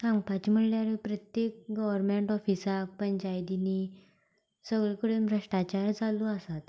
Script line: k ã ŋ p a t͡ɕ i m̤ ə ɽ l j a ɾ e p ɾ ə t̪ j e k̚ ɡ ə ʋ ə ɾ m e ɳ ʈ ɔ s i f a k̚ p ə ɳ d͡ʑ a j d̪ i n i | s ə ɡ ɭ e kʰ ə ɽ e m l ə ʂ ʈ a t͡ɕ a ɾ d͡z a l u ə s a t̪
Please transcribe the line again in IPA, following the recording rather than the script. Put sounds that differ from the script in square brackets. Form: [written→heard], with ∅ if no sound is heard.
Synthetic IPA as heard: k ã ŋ p a t͡ɕ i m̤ ə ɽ l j a ɾ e p ɾ ə t̪ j e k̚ ɡ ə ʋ ə ɾ m e ɳ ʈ ɔ [s→f] i [f→s] a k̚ p ə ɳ d͡ʑ a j d̪ i n i | s ə ɡ ɭ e [kʰ→k] ə ɽ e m [l→ɾ] ə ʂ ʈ a t͡ɕ a ɾ d͡z a l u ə s a t̪